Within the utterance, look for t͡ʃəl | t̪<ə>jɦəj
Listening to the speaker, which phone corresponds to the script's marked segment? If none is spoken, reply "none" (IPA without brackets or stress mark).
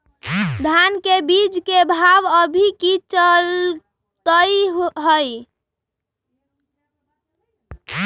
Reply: ə